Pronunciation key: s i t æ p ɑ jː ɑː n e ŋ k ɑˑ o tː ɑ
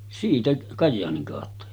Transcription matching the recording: s iː t æ k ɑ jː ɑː n i ŋ k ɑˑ o tː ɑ